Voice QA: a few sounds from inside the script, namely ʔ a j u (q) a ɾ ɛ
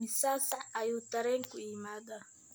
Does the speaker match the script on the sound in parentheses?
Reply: no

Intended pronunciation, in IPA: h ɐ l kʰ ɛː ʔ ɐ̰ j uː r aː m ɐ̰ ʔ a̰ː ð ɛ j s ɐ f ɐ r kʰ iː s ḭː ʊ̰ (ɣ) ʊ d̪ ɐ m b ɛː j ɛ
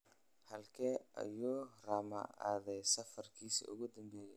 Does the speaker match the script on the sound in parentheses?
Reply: yes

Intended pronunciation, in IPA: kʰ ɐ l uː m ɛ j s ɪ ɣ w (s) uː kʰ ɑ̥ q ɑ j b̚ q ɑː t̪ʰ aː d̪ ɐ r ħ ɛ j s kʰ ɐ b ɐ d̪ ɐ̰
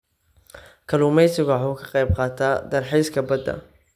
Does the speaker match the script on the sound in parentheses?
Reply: no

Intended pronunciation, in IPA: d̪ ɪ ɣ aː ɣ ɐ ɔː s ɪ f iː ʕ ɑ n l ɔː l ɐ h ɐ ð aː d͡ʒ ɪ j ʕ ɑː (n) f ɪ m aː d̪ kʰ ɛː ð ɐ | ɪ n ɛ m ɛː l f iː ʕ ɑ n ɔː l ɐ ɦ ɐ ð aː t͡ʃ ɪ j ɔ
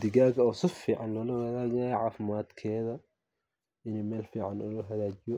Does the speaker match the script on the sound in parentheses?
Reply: no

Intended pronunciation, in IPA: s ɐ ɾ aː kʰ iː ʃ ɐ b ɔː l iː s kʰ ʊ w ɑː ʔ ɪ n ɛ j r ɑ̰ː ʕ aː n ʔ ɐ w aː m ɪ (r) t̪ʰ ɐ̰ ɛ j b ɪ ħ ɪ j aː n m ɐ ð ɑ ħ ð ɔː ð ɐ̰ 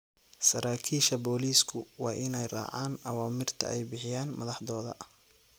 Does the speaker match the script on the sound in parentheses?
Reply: yes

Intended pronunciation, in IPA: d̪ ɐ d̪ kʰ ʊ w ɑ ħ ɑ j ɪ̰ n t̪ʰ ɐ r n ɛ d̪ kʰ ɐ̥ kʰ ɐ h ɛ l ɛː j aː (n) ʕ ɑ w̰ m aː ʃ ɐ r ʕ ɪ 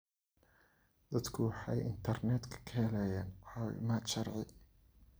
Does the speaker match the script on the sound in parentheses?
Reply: yes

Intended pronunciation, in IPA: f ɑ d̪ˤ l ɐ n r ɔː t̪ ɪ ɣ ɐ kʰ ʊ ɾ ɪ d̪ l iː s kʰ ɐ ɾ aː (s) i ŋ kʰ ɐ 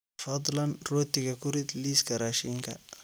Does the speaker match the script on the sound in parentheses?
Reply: no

